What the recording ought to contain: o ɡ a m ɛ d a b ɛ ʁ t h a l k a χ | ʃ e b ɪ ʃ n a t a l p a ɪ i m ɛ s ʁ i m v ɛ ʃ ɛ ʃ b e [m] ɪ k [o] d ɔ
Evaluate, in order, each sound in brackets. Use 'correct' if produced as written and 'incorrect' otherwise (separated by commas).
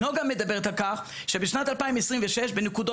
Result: incorrect, incorrect